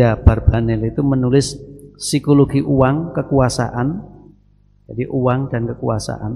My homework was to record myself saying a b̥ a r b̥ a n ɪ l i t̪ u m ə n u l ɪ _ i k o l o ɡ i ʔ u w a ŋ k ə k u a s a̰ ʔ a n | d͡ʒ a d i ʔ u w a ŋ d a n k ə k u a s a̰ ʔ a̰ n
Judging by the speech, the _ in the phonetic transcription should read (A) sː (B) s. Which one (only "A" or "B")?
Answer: A